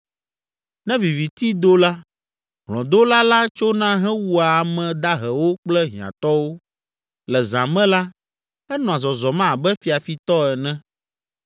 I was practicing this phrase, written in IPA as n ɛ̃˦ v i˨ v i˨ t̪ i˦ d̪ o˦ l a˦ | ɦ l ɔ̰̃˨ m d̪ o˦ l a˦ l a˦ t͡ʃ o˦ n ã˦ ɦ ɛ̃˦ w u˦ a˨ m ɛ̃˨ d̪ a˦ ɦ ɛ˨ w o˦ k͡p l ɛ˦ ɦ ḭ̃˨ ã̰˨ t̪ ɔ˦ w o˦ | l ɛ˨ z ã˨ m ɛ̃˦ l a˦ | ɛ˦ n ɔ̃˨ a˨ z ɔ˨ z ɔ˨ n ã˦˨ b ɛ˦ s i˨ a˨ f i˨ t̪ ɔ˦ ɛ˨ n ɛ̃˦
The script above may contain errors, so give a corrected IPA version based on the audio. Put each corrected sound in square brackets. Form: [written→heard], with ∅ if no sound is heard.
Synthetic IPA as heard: n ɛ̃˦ v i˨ v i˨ t̪ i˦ d̪ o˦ l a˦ | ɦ l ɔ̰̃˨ [m→∅] d̪ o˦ l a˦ l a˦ t͡ʃ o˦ n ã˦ ɦ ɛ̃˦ w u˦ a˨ m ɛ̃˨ d̪ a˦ ɦ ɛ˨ w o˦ k͡p l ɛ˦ ɦ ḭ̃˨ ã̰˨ t̪ ɔ˦ w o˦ | l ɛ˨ z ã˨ m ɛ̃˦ l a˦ | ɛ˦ n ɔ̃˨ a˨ z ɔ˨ z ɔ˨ [n→m] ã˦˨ b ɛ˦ [s→f] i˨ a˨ f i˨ t̪ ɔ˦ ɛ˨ n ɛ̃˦

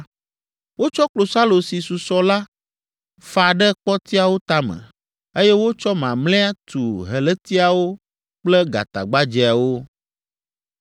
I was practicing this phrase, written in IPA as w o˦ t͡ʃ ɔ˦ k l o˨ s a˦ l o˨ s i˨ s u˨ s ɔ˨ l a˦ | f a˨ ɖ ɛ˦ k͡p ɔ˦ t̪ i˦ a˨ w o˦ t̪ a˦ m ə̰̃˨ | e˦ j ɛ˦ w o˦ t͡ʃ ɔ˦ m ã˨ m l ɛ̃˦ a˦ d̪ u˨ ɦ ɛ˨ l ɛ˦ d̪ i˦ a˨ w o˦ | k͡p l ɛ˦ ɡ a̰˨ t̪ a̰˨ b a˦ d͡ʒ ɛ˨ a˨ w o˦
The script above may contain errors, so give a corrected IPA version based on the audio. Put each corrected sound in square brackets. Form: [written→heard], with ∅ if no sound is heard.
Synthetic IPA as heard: w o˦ t͡ʃ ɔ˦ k l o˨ s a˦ l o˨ s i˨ s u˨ s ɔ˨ l a˦ | f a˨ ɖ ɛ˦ k͡p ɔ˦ t̪ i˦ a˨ w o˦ t̪ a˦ m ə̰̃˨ | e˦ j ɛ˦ w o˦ t͡ʃ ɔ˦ m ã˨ m l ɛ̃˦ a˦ [d̪→t̪] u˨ ɦ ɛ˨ l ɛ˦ [d̪→t̪] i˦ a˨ w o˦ | k͡p l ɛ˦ ɡ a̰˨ t̪ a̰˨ [b→ɡ͡b] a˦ d͡ʒ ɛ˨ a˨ w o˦

